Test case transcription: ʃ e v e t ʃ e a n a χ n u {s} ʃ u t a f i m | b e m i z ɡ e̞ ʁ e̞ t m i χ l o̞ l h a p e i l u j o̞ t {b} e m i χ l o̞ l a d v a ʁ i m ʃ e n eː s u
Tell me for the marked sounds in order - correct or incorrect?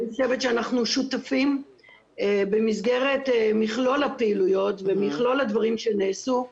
incorrect: none, incorrect: v

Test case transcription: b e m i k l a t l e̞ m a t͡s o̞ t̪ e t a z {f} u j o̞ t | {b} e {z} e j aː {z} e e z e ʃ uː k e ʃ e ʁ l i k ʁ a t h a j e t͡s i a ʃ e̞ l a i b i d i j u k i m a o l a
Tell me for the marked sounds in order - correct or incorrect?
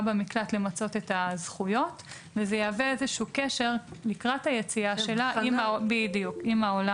incorrect: χ, incorrect: v, correct, incorrect: v

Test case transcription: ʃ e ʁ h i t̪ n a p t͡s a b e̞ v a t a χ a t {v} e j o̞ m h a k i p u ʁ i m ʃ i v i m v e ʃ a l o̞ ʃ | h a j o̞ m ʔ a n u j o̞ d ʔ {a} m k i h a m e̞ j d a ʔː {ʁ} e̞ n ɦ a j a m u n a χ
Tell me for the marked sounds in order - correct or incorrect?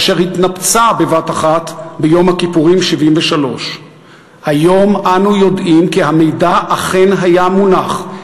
incorrect: b, incorrect: i, incorrect: χ

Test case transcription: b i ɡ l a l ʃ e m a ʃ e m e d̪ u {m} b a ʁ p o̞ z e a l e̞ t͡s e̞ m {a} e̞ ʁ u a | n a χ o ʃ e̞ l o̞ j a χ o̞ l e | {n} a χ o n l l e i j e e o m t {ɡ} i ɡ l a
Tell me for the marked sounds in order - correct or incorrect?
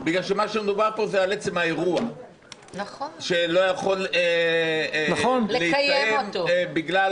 incorrect: none, correct, correct, incorrect: b

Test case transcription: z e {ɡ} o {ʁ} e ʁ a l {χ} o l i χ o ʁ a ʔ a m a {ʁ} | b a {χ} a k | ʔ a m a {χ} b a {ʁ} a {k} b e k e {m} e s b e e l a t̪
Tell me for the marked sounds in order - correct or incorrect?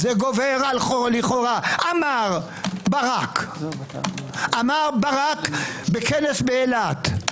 correct, incorrect: v, correct, correct, incorrect: ʁ, incorrect: ʁ, correct, correct, incorrect: n

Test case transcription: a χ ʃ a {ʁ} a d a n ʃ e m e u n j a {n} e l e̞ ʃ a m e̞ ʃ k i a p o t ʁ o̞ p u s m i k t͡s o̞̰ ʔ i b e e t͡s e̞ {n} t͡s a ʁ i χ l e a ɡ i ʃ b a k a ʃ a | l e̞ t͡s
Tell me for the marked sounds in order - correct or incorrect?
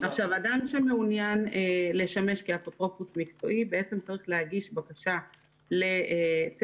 incorrect: v, correct, incorrect: m

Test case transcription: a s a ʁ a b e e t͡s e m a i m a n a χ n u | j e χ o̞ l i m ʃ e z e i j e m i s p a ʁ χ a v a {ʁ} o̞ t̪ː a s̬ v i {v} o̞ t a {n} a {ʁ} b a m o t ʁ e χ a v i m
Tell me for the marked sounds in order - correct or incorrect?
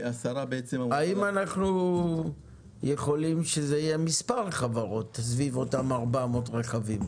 correct, correct, incorrect: m, correct

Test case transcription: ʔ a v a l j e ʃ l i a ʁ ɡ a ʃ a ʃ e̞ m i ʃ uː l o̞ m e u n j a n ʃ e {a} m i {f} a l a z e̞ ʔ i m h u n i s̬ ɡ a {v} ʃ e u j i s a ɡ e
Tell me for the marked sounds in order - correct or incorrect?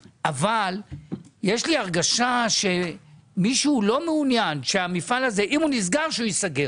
correct, correct, incorrect: ʁ

